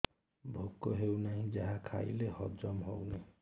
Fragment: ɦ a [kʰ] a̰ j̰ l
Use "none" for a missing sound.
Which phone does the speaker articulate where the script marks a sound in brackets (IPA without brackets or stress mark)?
kʰ